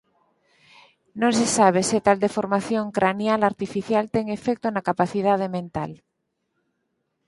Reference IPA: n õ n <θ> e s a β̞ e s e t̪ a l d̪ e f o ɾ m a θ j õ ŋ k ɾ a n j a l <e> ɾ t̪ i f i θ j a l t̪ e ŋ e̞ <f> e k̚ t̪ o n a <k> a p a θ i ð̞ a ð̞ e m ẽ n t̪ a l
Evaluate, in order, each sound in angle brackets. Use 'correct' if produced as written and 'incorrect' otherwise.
incorrect, incorrect, correct, correct

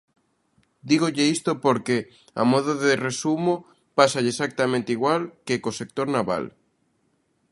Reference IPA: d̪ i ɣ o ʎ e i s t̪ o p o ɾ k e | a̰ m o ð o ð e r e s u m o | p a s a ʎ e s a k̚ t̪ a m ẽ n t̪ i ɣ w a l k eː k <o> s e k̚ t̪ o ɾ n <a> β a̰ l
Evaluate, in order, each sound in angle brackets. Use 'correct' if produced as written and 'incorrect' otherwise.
correct, correct

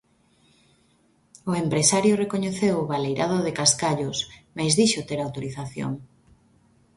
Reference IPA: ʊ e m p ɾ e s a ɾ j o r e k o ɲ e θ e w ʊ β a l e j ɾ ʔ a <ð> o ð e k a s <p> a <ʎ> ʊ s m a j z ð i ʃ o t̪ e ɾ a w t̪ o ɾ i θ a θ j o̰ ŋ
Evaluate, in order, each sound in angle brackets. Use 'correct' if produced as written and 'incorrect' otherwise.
correct, incorrect, correct

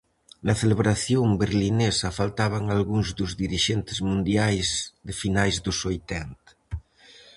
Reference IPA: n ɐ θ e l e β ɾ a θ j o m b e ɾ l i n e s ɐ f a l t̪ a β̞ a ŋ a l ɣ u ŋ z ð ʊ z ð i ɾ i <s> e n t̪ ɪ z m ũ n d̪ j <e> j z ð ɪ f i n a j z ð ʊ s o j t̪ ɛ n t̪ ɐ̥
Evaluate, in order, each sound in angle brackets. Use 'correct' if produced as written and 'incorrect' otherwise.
incorrect, incorrect

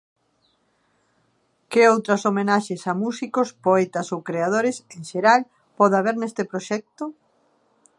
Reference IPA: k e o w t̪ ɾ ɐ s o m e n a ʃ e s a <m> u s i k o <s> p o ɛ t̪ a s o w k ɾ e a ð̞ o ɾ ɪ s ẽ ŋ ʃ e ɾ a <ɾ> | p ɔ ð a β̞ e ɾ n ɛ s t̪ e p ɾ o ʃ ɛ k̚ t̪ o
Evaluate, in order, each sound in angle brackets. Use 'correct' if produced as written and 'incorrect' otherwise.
correct, correct, incorrect

